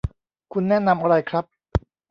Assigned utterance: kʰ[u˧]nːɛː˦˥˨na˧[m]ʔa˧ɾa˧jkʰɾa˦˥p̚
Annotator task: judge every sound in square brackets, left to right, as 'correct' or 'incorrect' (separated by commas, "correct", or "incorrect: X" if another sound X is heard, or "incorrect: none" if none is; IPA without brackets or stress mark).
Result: correct, correct